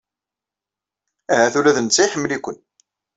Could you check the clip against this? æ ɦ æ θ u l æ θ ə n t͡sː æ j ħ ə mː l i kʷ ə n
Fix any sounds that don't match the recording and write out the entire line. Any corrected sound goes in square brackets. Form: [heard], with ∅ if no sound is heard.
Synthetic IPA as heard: æ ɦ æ θ u l æ [ð] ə n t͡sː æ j ħ ə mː l i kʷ ə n